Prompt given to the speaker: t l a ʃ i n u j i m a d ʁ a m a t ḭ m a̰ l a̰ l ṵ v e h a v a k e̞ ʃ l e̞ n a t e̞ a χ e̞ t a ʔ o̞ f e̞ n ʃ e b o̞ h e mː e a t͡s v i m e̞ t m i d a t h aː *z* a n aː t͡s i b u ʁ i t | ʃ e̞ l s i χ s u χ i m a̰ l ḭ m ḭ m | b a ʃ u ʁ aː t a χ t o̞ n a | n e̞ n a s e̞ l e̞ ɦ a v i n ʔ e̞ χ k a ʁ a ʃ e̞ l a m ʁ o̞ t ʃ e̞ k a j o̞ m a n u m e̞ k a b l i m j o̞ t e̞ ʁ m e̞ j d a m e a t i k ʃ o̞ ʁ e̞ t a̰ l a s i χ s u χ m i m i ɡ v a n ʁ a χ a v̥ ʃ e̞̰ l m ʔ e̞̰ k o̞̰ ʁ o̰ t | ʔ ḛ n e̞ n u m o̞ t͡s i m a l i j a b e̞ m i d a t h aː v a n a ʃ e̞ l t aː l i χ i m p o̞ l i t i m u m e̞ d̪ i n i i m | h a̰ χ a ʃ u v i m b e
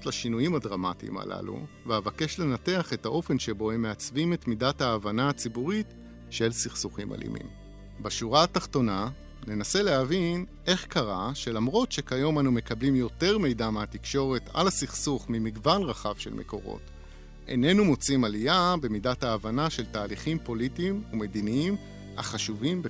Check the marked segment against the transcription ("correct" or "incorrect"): incorrect